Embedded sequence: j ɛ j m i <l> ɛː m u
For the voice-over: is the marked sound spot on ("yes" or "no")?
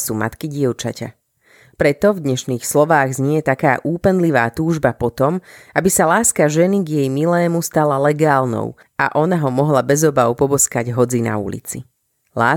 yes